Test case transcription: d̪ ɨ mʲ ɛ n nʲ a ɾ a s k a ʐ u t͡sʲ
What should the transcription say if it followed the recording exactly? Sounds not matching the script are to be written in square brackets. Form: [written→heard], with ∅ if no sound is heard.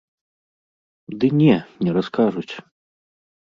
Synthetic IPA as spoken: d̪ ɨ [mʲ→nʲ] ɛ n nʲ [a→ɛ] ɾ a s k a ʐ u t͡sʲ